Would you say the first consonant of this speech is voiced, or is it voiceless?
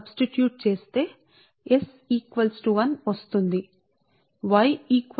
voiced